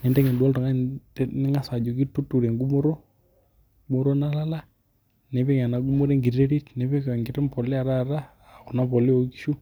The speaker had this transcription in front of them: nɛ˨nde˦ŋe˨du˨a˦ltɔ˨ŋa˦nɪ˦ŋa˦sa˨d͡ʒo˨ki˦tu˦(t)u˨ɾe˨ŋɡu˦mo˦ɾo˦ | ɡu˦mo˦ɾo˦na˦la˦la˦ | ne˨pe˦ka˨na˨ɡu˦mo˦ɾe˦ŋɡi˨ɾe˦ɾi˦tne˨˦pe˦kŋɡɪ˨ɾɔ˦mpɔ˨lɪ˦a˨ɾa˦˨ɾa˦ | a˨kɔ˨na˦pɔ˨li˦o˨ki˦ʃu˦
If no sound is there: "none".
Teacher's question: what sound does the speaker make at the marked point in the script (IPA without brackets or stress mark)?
t